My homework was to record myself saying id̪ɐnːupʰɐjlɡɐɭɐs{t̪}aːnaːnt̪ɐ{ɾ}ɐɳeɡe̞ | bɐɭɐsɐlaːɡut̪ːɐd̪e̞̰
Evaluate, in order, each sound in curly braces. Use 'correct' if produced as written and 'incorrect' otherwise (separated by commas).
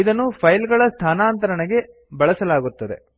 incorrect, correct